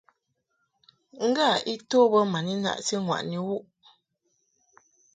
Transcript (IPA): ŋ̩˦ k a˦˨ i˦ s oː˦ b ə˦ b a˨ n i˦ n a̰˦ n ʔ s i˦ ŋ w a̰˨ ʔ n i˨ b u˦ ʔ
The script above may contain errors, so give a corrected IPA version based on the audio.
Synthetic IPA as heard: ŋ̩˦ ɡ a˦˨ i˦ t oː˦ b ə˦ m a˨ n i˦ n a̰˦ ʔ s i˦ ŋ w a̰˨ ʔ n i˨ w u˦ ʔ